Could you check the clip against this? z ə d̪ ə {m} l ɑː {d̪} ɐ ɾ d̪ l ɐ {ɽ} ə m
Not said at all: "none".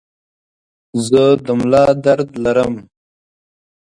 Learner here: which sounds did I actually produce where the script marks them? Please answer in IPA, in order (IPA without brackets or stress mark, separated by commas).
m, d̪, ɾ